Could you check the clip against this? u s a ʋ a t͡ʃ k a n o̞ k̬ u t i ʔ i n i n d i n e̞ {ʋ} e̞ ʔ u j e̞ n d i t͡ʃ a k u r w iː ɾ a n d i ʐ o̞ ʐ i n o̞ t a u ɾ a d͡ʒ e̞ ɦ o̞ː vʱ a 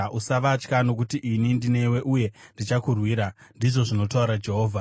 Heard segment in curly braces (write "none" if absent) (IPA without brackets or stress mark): w